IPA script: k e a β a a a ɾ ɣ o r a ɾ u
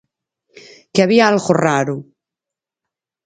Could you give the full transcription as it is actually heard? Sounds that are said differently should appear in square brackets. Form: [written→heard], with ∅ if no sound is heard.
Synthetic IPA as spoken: k e a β [a→i] a a [ɾ→l] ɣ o r a ɾ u